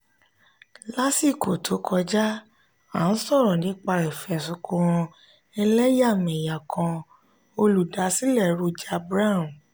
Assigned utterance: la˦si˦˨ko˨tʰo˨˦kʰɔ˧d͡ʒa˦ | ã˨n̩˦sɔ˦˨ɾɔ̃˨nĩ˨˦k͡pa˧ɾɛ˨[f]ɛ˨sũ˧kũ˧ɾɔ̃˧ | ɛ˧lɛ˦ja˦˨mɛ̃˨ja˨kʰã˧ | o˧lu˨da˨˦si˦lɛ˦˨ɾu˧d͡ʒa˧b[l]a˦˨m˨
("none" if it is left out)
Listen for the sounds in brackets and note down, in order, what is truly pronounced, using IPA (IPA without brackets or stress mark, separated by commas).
f, ɾ